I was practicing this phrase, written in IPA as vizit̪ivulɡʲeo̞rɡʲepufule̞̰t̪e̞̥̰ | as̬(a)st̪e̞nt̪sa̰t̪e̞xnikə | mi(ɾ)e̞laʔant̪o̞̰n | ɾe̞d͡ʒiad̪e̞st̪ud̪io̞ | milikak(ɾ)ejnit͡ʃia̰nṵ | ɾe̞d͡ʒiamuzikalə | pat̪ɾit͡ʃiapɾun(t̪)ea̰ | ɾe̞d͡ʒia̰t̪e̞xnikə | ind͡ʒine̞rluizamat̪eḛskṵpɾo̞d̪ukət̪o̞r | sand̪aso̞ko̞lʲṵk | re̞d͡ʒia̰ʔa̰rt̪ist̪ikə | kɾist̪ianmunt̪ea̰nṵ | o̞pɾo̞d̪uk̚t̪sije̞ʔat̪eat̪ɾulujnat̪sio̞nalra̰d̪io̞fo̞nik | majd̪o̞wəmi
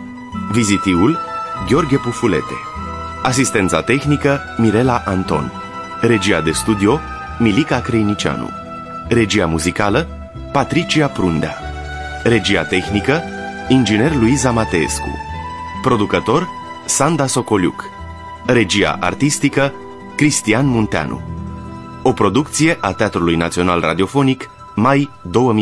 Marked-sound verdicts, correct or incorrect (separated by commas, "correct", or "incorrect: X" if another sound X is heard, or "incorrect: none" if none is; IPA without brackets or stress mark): incorrect: i, correct, correct, incorrect: d̪